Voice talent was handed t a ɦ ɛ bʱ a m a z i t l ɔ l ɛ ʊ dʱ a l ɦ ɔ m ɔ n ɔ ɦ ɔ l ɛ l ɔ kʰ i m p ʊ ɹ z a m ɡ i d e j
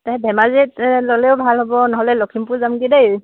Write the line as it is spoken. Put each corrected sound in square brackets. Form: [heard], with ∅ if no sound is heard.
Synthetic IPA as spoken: t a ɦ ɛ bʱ [ɛ] m a z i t l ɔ l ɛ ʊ [bʱ] a l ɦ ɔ [b] ɔ n ɔ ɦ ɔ l ɛ l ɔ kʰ i m p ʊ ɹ z a m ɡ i d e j